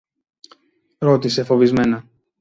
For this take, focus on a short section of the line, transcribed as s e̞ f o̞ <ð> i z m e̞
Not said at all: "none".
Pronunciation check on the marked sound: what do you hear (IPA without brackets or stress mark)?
v